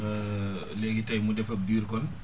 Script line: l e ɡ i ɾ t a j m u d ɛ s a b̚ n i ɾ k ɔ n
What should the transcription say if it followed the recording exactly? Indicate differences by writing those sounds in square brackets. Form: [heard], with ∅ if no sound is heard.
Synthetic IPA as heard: l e ɡ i [∅] t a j m u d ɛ [f] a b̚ [d] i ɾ k ɔ n